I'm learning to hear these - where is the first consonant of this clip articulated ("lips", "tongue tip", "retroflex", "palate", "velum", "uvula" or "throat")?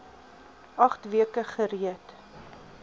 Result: uvula